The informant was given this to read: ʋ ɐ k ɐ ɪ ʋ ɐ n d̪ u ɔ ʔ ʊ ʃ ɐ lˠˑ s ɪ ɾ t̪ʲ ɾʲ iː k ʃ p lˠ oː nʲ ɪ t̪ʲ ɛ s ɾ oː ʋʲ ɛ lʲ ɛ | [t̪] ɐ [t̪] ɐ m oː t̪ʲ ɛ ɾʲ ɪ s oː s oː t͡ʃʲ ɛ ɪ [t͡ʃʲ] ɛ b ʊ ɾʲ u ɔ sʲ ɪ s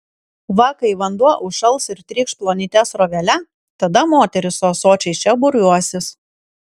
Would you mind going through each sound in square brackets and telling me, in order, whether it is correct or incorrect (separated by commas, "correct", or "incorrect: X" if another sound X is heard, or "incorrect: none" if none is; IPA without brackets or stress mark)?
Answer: correct, incorrect: d̪, correct